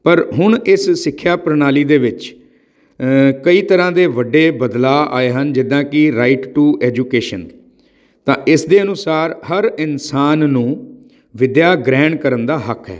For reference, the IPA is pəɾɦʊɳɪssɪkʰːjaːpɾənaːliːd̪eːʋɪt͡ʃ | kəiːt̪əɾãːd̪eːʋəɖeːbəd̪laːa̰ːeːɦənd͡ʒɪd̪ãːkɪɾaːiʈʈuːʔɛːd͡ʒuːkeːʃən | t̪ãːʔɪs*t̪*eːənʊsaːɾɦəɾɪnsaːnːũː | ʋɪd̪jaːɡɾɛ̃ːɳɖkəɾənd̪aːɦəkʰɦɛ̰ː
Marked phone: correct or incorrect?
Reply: incorrect